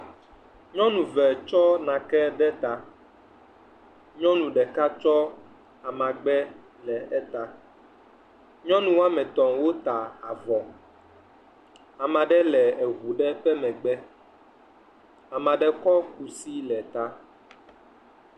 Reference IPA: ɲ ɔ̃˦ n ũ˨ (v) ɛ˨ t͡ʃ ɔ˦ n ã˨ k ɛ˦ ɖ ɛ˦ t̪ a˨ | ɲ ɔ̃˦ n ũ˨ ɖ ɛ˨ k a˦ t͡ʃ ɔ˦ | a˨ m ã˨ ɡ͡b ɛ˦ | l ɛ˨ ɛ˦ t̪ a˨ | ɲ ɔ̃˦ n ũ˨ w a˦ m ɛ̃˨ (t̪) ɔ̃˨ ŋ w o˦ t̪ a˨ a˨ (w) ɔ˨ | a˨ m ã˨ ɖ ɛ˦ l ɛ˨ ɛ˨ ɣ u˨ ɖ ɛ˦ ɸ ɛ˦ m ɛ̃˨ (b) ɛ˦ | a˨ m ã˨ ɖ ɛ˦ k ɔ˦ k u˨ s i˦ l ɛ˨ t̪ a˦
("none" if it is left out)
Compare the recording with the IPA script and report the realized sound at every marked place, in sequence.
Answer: v, t̪, v, ɡ͡b

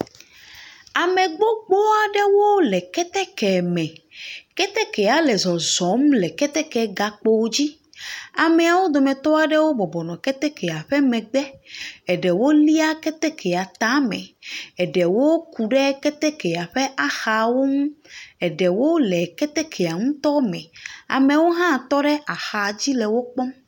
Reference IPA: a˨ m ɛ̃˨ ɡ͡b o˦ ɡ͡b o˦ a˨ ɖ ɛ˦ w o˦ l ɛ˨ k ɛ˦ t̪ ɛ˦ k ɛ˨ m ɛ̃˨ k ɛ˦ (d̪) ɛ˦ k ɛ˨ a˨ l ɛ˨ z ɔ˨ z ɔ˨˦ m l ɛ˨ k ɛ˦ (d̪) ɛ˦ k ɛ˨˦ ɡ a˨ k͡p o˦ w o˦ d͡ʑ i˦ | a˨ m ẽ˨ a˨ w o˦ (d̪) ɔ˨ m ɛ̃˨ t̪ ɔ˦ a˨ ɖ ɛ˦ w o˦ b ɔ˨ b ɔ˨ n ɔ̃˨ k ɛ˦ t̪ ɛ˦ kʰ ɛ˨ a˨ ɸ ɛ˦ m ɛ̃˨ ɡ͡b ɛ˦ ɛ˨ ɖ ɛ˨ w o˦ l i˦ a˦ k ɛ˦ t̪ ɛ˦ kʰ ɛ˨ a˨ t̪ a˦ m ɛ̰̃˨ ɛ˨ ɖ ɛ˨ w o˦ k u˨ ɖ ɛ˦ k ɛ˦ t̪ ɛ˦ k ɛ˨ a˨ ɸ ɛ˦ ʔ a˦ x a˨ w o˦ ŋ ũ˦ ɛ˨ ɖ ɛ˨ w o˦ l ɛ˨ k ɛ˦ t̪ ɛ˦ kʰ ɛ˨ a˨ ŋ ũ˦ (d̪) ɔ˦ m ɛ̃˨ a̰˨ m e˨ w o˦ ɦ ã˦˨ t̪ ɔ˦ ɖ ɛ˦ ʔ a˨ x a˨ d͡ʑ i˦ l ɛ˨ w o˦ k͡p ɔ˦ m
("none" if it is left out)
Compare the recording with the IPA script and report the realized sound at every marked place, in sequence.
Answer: t̪, t̪, d̪, t̪

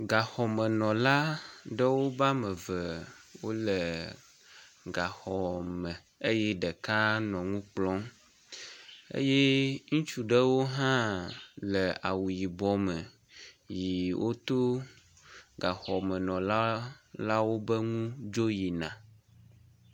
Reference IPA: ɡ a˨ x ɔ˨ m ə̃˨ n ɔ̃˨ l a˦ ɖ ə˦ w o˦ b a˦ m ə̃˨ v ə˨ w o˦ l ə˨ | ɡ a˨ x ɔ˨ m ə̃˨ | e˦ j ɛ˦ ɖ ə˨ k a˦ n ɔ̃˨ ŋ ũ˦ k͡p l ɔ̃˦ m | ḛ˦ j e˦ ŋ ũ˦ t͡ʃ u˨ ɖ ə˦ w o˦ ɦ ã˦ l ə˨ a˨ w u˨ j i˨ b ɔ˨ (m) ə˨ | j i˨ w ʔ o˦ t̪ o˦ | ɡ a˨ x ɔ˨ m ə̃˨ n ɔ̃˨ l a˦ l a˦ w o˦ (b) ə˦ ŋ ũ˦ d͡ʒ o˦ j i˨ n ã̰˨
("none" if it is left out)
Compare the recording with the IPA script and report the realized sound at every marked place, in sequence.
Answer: m, b

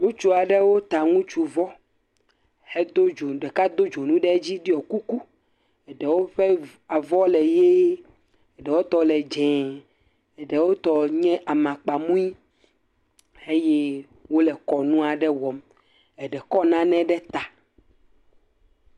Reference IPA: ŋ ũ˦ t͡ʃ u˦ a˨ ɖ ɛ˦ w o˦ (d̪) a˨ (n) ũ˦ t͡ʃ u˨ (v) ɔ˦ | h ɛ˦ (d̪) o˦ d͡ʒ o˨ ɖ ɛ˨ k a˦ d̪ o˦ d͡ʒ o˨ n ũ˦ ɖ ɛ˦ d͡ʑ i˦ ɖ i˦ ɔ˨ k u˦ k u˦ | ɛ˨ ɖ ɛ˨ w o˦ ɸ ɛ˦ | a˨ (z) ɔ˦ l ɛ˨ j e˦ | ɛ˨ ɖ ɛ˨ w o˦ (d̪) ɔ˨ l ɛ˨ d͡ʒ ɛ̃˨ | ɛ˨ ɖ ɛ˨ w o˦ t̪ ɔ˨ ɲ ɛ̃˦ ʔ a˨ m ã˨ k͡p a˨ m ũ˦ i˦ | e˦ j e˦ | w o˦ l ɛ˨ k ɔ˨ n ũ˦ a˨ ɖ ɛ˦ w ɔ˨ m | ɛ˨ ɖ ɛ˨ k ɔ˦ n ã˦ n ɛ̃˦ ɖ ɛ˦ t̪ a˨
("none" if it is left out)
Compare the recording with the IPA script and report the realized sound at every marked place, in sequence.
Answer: t̪, ŋ, v, d̪, v, t̪

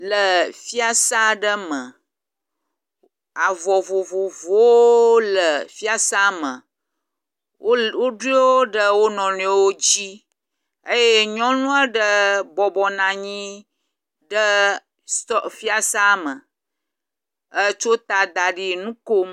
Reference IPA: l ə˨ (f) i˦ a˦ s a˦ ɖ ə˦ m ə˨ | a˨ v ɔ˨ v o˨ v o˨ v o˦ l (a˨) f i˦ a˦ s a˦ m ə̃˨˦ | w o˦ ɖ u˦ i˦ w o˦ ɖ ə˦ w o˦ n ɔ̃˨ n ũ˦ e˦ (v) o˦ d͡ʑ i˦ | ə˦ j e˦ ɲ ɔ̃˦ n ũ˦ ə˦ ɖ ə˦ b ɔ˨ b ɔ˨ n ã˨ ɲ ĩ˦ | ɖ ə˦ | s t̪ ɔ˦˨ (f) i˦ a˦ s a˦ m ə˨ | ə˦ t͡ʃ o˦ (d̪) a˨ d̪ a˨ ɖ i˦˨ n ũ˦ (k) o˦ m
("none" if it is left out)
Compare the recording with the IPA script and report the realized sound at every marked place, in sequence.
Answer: f, ə˨, w, f, t̪, k

